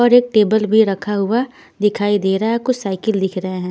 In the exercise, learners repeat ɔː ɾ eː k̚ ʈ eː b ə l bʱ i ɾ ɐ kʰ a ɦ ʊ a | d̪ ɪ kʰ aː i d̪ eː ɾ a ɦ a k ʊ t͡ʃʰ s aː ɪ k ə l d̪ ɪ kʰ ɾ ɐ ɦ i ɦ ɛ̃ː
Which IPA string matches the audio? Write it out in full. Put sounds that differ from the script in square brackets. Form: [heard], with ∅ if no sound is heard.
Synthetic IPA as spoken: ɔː ɾ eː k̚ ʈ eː b ə l bʱ i ɾ ɐ kʰ a ɦ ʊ a | d̪ ɪ kʰ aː i d̪ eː ɾ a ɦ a k ʊ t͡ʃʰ s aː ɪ k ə l d̪ ɪ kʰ ɾ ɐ ɦ [e] ɦ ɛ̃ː